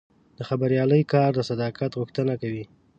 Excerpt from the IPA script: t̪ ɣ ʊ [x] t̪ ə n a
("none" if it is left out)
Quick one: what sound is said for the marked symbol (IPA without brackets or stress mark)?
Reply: x